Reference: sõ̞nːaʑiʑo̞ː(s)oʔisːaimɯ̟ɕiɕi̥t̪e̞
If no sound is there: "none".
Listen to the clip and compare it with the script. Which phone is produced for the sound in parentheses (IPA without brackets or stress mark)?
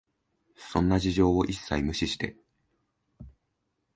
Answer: none